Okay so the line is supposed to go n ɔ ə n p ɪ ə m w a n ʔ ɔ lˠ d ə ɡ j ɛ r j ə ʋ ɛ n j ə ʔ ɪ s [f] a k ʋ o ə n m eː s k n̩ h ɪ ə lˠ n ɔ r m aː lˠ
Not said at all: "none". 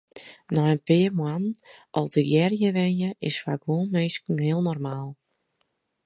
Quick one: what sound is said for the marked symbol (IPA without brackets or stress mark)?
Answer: f